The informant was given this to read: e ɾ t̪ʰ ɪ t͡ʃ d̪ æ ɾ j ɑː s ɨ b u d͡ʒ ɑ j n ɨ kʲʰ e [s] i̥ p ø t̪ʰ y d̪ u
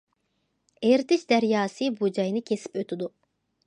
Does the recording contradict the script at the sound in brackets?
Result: no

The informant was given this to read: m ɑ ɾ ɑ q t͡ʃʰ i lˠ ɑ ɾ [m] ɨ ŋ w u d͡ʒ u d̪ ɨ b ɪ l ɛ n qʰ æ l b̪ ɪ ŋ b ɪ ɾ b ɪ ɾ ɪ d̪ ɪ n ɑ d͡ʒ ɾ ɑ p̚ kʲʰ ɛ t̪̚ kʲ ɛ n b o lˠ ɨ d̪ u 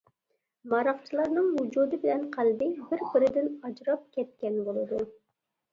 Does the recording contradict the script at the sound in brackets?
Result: yes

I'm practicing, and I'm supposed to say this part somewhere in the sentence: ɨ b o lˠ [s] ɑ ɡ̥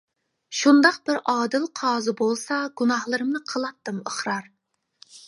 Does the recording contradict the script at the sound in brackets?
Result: no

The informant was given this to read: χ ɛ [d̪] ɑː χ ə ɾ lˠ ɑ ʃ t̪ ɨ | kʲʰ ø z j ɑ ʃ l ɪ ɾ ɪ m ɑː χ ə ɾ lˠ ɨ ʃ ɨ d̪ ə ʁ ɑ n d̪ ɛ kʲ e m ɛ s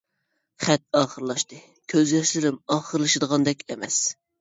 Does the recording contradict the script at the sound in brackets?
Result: yes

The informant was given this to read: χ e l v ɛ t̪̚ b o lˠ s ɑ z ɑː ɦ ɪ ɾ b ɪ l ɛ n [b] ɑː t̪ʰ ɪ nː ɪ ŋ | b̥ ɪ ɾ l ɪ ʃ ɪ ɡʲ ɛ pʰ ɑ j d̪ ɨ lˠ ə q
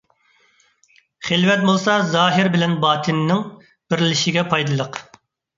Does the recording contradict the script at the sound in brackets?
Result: no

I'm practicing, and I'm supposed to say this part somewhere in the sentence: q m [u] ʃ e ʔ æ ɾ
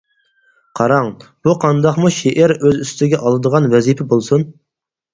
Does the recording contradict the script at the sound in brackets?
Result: no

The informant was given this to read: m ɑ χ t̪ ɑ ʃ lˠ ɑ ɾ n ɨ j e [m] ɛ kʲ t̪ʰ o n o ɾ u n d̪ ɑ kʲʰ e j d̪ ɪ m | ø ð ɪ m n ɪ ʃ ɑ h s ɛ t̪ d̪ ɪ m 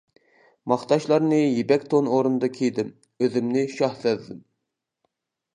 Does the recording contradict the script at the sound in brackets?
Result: yes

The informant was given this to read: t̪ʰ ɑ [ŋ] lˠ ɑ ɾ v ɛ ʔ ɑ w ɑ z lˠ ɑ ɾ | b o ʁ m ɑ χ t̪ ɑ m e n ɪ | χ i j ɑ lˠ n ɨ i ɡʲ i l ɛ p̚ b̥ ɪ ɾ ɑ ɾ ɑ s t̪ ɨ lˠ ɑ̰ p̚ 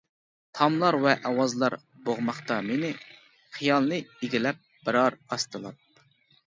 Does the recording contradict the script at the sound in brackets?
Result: yes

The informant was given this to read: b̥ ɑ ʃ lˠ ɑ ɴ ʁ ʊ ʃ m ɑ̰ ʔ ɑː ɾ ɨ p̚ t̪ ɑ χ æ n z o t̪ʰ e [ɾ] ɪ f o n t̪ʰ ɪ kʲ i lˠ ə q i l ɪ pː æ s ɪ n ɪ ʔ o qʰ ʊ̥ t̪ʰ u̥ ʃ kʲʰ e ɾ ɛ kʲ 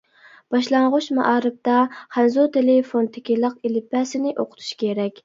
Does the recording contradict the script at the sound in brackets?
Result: yes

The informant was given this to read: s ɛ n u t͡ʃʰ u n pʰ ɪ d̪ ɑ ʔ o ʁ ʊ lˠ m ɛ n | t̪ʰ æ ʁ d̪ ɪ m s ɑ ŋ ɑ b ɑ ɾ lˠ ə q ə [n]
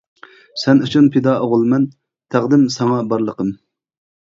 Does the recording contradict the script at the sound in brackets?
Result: yes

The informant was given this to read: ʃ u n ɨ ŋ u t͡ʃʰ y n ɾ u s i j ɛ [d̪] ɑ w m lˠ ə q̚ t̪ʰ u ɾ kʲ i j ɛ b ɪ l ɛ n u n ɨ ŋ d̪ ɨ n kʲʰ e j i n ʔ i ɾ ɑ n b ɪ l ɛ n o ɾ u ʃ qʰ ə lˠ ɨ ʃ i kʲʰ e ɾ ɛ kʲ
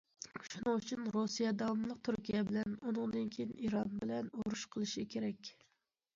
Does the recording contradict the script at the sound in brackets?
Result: no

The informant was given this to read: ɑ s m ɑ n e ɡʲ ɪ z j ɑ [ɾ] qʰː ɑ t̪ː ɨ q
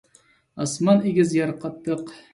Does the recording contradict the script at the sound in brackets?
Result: no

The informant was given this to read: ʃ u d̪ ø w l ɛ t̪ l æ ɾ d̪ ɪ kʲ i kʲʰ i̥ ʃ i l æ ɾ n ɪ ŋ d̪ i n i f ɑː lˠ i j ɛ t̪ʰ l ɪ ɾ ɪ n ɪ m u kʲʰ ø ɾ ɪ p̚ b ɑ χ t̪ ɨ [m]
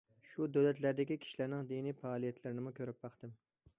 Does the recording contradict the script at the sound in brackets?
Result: no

